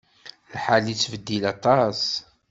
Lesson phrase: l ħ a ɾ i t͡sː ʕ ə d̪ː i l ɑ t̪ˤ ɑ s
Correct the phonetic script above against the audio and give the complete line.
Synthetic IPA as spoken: l ħ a l i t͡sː v ə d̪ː i l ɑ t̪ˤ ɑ s